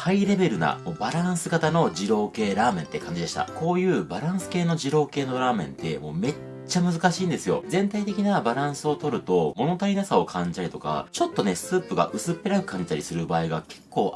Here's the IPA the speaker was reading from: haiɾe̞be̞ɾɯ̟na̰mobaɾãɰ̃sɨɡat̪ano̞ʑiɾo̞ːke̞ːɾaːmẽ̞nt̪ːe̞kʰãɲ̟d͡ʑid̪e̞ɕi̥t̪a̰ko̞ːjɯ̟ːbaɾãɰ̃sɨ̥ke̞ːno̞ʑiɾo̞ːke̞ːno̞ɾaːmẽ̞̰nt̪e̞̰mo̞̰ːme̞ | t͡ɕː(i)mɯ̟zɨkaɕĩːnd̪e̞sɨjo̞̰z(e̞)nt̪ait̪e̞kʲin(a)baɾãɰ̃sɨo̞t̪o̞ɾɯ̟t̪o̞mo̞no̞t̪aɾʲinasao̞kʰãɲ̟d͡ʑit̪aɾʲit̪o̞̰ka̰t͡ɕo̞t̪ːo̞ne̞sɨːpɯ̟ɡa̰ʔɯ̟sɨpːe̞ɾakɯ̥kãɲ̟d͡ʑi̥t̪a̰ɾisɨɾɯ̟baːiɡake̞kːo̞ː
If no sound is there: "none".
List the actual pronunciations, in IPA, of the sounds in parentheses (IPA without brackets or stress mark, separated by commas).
a, ẽ̞, a